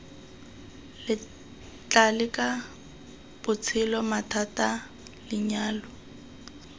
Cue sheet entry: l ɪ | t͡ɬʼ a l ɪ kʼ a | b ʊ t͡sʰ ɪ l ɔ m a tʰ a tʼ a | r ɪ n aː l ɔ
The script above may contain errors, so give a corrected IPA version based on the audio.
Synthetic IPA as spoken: l ɪ | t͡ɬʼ a l ɪ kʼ a | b ʊ t͡sʰ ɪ l ɔ m a tʰ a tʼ a | l ɪ ɲ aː l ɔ

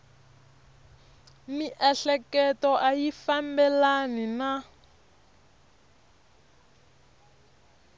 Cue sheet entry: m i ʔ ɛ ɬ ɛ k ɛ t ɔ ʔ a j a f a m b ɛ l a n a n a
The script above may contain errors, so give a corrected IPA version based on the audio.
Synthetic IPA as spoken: m i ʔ ɛ ɬ ɛ k ɛ t ɔ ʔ a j i f a m b ɛ l a n i n a

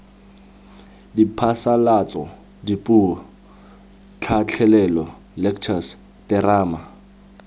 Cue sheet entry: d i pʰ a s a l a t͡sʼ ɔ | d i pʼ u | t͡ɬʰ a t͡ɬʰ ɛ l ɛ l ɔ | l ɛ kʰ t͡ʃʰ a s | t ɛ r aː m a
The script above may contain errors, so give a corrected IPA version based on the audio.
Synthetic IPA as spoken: d i pʰ a s a l a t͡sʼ ɔ | d i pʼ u | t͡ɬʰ a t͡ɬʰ ɛ l ɛ l ɔ | l ɛ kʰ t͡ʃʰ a s | t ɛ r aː m a

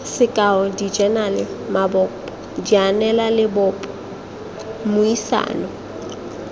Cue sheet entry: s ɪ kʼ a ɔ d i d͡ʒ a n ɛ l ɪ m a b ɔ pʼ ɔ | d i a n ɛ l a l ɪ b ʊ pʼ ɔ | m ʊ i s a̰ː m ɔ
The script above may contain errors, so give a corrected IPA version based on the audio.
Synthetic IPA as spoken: s ɪ kʼ a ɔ d i d͡ʒ ɛ n a l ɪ m a b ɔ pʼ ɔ | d i a n ɛ l a l ɪ b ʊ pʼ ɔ | m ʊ i s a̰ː n ɔ

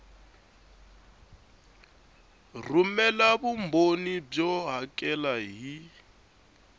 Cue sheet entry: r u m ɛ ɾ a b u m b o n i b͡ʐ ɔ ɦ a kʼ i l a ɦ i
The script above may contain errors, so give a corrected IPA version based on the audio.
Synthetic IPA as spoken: r u m ɛ l a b u m b o n i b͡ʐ ɔ ɦ a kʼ ɛ l a ɦ i

